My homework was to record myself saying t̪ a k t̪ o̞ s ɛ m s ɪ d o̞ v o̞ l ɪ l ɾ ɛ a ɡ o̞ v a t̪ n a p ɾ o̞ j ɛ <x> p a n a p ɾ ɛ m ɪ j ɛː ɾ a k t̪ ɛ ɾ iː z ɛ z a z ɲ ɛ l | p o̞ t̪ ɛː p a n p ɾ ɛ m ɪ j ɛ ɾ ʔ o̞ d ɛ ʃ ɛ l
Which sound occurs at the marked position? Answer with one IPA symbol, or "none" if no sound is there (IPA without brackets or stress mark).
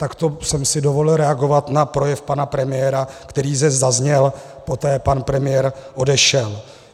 f